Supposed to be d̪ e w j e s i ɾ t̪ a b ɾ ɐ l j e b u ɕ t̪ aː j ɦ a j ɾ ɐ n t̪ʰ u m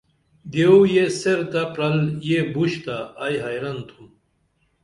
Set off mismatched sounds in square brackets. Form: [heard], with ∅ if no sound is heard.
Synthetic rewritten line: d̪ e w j e s [e] ɾ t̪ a [p] ɾ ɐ l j e b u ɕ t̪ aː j ɦ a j ɾ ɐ n t̪ʰ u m